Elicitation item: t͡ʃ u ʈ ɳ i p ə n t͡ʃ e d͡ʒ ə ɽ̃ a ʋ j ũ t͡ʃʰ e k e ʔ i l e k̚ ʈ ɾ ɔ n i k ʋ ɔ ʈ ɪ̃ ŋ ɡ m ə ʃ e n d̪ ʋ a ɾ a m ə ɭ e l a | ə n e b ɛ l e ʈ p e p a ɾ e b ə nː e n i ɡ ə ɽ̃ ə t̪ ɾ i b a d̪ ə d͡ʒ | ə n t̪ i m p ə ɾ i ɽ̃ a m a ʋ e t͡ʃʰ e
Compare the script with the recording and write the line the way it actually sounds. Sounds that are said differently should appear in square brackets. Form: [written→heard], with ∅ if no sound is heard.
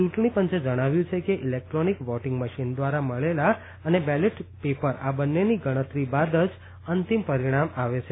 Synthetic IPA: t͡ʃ u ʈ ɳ i p ə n t͡ʃ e d͡ʒ ə ɽ̃ a ʋ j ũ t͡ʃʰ e k e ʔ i l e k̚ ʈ ɾ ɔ n i k ʋ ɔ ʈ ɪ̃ ŋ ɡ m ə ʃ [e→i] n d̪ ʋ a ɾ a m ə ɭ e l a | ə n e b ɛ l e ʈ p e p [a→ə] ɾ [e→a] b ə nː e n i ɡ ə ɽ̃ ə t̪ ɾ i b a d̪ ə d͡ʒ | ə n t̪ i m p ə ɾ i ɽ̃ a m a ʋ e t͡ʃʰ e